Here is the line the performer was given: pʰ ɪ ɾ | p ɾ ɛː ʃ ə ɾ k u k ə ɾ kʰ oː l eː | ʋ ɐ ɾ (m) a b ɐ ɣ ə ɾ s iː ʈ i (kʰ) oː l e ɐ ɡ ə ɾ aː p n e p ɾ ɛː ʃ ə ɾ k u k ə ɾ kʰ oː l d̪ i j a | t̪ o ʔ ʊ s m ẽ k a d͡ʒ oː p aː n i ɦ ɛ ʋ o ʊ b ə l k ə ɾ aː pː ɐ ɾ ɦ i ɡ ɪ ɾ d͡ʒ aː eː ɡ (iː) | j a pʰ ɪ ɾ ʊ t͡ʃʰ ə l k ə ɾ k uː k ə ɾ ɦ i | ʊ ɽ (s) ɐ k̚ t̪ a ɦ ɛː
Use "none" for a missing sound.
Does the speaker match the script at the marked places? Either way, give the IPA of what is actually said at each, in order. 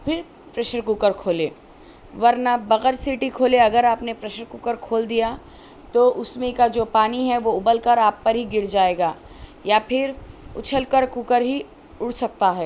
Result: n, kʰ, aː, s

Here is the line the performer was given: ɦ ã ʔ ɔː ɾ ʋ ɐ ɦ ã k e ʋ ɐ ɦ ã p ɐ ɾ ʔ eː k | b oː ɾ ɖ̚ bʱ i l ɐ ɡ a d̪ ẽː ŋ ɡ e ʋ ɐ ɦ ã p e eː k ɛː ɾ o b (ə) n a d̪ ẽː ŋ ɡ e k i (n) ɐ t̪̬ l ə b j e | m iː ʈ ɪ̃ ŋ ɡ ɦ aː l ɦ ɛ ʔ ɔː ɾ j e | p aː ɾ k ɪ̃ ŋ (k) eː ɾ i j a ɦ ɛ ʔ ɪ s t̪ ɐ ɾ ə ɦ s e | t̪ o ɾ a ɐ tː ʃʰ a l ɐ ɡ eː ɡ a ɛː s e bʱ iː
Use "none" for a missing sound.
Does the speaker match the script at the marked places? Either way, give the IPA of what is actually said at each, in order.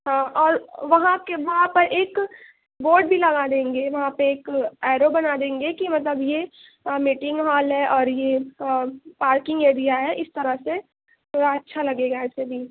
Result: ɐ, m, ɡ

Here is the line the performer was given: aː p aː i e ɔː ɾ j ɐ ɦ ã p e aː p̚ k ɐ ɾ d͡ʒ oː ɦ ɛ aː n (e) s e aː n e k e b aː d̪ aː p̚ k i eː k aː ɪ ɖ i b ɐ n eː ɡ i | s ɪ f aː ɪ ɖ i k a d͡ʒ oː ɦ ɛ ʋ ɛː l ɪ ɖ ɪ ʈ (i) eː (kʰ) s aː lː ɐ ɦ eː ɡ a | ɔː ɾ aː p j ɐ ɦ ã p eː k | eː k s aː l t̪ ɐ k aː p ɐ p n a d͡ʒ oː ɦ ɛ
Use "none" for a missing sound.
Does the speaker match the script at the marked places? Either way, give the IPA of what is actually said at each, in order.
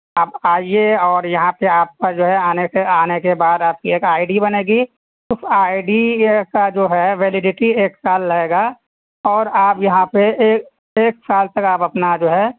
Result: e, i, k

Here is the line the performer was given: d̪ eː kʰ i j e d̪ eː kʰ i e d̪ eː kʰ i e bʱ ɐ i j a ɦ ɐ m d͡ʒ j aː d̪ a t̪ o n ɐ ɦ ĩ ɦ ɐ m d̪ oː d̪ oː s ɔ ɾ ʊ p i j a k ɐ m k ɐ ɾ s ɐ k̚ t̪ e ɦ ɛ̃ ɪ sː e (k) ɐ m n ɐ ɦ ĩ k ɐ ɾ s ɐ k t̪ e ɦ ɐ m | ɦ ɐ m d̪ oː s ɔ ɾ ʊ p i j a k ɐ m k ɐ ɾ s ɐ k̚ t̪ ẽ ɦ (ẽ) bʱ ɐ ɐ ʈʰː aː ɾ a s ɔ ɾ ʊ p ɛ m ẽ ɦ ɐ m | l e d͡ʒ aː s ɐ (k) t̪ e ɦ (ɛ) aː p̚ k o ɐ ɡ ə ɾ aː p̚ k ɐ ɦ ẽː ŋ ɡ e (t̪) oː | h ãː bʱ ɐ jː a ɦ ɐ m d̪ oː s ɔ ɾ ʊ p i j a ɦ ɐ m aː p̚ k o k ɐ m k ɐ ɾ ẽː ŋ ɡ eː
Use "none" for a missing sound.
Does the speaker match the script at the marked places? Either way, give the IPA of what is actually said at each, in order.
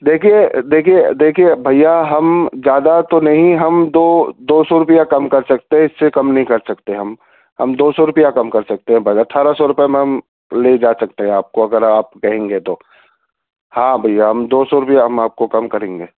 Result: k, ɛ̃, k, ɛ̃, t̪

